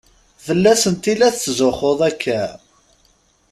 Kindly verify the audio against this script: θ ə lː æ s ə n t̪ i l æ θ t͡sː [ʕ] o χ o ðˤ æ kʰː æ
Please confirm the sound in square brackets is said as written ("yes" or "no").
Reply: no